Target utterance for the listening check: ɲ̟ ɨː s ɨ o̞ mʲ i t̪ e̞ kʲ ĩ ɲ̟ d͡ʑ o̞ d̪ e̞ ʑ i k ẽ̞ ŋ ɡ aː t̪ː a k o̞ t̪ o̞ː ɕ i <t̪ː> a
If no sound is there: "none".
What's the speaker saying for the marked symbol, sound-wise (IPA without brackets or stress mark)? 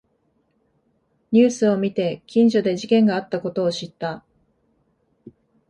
t̪ː